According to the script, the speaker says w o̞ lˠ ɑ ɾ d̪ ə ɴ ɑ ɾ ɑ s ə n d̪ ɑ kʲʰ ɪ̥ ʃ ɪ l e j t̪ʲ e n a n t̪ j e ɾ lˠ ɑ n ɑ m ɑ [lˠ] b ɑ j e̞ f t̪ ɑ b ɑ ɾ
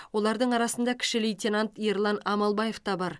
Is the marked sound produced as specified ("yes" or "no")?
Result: yes